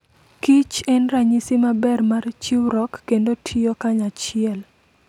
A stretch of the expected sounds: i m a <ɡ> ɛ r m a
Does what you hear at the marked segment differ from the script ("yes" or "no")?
yes